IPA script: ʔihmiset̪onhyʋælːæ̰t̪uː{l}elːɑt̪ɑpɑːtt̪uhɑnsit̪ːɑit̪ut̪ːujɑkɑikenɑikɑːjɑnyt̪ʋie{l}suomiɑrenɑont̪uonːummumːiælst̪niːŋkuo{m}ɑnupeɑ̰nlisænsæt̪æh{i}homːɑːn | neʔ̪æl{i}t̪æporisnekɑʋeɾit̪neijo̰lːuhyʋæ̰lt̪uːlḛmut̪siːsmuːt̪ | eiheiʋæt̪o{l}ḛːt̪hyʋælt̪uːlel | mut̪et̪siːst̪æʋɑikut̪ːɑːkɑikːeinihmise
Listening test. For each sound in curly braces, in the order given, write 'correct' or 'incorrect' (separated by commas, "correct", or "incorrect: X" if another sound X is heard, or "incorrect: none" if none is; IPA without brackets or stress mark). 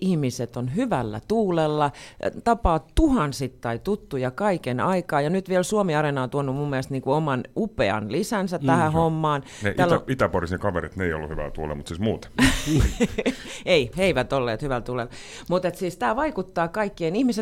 correct, correct, correct, incorrect: æ, correct, incorrect: lː